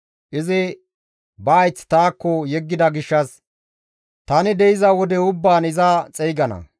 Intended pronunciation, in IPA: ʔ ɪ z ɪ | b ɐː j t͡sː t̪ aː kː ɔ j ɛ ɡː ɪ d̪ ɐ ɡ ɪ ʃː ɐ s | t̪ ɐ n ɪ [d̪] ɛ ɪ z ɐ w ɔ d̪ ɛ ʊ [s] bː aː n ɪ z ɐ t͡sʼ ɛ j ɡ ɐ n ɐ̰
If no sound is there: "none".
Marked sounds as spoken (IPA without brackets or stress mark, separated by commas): d̪, none